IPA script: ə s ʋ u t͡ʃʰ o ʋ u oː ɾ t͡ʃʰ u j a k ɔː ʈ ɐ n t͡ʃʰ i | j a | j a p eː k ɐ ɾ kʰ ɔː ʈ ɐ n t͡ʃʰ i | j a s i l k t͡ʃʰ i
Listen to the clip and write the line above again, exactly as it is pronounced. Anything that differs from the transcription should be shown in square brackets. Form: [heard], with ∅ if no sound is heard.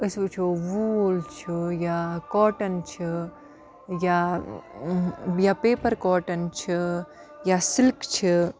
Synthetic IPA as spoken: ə s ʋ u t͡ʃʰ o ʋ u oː [l] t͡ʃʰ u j a k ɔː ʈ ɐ n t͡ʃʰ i | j a | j a p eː [p] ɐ ɾ [k] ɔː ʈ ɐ n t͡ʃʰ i | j a s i l k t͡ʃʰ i

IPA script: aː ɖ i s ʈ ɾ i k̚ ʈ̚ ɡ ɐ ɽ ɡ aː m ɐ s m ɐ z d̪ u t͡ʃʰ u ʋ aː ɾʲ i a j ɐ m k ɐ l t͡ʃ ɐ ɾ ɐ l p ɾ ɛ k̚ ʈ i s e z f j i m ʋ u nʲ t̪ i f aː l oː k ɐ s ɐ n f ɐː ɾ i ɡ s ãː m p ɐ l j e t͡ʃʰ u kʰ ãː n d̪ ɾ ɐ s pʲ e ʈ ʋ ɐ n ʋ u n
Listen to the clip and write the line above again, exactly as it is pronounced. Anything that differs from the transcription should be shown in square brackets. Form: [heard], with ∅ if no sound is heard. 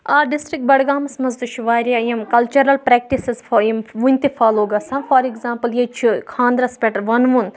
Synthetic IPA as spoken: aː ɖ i s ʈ ɾ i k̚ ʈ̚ [b] ɐ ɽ ɡ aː m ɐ s m ɐ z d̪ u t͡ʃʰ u ʋ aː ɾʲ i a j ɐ m k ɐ l t͡ʃ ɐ ɾ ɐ l p ɾ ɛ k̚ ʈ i s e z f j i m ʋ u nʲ t̪ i f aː l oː [ɡ] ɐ s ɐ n f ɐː ɾ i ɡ [z] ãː m p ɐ l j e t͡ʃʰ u kʰ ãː n d̪ ɾ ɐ s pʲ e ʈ ʋ ɐ n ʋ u n

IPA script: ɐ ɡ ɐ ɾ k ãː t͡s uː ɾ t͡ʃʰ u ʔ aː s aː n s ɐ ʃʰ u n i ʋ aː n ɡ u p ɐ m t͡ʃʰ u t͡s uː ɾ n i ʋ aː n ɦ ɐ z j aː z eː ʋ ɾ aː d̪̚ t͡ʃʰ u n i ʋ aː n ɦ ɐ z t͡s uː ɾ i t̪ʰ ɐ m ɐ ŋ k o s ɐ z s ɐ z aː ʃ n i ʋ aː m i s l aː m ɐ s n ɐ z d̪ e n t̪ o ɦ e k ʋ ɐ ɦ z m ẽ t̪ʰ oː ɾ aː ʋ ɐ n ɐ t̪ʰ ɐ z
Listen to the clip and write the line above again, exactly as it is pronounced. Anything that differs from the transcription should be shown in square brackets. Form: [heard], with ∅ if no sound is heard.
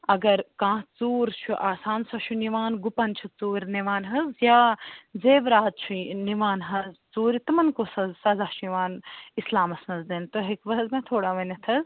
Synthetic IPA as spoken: ɐ ɡ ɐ ɾ k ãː t͡s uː ɾ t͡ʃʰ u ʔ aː s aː n s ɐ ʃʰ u n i ʋ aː n ɡ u p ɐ [n] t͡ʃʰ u t͡s uː ɾ n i ʋ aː n ɦ ɐ z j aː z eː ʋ ɾ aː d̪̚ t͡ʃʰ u n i ʋ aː n ɦ ɐ z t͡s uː ɾ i [t̪] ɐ m ɐ [n] k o s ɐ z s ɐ z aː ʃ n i ʋ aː [n] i s l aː m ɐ s n ɐ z d̪ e n t̪ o ɦ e k ʋ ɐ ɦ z m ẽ t̪ʰ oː [ɽ] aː ʋ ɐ n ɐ t̪ʰ ɐ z

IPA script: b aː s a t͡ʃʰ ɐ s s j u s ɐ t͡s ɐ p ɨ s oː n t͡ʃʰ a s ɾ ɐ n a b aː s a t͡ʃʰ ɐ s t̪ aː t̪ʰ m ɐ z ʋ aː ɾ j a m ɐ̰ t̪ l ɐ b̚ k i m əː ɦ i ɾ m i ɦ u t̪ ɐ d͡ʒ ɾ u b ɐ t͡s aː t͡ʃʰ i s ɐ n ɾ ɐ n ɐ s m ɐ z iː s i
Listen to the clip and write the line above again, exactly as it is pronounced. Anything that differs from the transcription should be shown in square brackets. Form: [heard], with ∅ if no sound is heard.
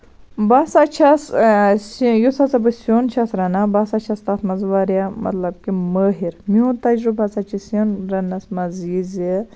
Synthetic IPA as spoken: b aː s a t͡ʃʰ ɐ s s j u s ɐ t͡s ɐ [b] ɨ s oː n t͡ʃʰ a s ɾ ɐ n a b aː s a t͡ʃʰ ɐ s t̪ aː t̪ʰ m ɐ z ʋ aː ɾ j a m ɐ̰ t̪ l ɐ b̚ k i m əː ɦ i ɾ m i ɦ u t̪ ɐ d͡ʒ ɾ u b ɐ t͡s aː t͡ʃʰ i s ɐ n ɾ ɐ n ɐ s m ɐ z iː [z] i

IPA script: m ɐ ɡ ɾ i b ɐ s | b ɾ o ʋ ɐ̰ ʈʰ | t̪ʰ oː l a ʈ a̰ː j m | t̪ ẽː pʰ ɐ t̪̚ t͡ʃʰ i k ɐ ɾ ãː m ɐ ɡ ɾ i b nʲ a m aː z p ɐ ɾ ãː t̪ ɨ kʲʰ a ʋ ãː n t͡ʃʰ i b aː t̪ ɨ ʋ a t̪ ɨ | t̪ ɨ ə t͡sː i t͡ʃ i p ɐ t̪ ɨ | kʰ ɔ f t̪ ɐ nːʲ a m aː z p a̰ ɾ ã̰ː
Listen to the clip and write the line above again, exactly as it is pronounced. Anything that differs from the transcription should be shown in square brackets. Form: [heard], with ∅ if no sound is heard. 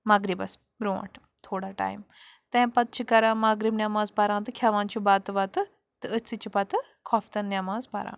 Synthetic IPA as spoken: m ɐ ɡ ɾ i b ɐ s | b ɾ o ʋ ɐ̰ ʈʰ | t̪ʰ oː [ɽ] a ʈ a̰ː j m | t̪ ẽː [p] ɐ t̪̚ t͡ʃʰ i k ɐ ɾ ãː m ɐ ɡ ɾ i b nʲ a m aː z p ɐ ɾ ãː t̪ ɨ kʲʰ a ʋ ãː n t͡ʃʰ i b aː t̪ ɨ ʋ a t̪ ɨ | t̪ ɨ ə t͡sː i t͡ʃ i p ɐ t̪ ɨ | kʰ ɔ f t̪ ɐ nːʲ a m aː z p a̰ ɾ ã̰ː

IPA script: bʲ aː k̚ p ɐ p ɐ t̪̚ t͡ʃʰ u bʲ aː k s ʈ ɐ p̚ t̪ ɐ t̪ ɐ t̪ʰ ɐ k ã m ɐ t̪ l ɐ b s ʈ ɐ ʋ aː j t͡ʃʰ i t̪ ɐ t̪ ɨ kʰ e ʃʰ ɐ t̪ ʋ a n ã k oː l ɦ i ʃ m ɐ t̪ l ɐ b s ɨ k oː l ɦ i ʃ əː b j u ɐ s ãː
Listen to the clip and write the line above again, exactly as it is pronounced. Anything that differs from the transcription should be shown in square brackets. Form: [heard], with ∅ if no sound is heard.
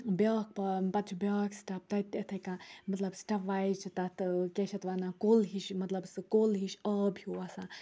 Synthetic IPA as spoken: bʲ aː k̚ p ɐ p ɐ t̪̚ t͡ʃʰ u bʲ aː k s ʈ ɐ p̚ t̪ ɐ t̪ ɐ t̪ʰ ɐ k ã m ɐ t̪ l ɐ b s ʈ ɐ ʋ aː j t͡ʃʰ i t̪ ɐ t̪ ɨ [k] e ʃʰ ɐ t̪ ʋ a n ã k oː l ɦ i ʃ m ɐ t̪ l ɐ b s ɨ k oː l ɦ i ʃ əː b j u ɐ s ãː

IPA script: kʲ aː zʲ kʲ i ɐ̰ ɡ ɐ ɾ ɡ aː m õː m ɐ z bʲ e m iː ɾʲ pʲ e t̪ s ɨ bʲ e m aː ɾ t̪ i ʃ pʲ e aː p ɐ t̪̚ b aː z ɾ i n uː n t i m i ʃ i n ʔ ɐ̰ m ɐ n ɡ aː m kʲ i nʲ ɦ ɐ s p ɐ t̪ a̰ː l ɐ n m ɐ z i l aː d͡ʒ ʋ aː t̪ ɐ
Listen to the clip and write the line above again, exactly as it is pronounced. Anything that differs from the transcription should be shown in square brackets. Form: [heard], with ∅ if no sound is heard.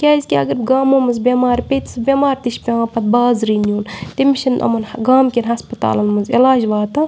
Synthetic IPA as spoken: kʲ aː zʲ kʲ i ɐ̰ ɡ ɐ ɾ ɡ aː m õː m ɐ z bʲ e m [aː] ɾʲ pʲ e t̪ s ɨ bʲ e m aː ɾ t̪ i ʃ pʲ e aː p ɐ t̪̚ b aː z ɾ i n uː n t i m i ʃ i n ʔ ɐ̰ m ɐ n ɡ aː m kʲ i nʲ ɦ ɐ s p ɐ t̪ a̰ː l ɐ n m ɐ z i l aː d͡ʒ ʋ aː t̪ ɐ

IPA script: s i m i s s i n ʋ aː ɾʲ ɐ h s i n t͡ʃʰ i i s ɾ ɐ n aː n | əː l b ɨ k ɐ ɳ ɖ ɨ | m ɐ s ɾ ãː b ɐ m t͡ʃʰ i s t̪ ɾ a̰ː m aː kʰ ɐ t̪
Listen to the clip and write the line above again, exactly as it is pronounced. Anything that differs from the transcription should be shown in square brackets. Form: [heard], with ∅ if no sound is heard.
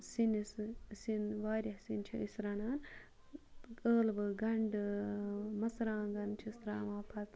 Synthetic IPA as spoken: s i [n] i s s i n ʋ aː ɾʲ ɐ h s i n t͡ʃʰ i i s ɾ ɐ n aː n | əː l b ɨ [ɡ] ɐ ɳ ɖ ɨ | m ɐ s ɾ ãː [ɡ] ɐ [n] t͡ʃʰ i s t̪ ɾ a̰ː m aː [pʰ] ɐ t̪

